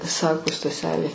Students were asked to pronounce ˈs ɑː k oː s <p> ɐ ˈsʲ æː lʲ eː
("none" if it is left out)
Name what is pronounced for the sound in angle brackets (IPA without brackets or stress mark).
t